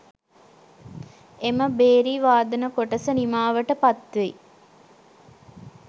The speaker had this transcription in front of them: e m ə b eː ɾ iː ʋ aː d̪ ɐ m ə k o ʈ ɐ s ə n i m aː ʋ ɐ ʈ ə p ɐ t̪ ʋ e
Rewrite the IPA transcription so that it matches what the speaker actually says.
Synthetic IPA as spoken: e m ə b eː ɾ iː ʋ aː d̪ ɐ n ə k o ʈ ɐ s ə n i m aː ʋ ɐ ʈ ə p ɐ t̪ ʋ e